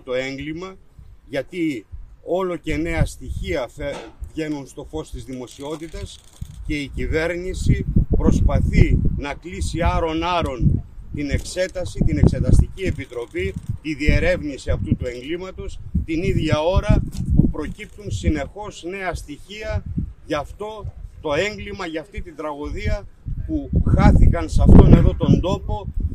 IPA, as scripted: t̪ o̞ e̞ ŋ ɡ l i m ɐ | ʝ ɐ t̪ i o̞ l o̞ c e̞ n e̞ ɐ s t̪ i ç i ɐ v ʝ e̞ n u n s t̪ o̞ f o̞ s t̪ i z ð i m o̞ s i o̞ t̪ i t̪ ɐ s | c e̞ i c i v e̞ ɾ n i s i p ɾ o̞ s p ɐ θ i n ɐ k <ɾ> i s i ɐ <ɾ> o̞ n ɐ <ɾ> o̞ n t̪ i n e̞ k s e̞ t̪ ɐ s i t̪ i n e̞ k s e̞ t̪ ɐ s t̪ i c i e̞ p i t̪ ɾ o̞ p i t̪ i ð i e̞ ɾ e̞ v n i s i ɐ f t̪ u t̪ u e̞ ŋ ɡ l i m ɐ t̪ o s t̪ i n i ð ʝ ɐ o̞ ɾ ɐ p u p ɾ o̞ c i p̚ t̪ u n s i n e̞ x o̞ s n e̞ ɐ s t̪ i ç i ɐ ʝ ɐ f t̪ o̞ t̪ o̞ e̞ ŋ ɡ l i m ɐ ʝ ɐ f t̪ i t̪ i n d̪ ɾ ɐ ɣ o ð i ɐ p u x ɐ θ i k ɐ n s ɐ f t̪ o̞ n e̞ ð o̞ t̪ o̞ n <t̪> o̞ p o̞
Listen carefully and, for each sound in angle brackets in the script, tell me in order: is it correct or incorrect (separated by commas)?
incorrect, correct, correct, incorrect